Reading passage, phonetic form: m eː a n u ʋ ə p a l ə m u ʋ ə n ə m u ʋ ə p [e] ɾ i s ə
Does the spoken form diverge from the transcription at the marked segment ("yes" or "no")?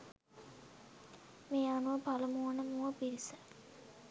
yes